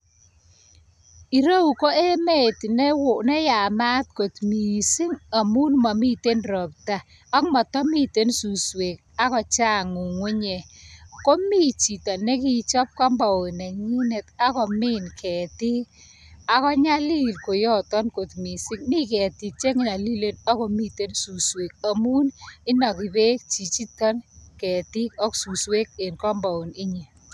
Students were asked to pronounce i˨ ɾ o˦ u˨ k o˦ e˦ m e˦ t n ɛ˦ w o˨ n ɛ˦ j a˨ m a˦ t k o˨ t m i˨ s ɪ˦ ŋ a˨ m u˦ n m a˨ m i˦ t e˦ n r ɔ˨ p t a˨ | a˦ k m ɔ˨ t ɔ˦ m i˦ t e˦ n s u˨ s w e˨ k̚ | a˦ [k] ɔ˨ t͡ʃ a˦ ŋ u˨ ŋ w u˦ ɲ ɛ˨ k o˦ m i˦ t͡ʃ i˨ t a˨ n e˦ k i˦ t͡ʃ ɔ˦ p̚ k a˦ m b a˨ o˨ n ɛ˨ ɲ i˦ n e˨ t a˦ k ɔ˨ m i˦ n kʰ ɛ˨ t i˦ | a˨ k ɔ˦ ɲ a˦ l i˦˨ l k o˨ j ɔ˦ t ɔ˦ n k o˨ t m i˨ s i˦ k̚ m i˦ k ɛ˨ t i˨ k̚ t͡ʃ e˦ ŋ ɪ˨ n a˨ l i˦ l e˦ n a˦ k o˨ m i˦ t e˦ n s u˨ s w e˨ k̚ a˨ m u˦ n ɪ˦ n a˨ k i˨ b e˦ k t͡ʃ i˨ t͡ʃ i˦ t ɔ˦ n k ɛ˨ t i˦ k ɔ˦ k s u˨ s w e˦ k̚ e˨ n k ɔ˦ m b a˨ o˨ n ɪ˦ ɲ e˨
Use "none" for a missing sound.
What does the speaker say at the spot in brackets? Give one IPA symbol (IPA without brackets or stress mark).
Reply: k